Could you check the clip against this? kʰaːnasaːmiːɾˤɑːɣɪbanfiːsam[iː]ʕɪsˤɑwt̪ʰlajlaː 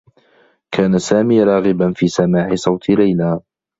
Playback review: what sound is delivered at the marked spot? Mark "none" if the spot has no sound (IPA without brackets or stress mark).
aː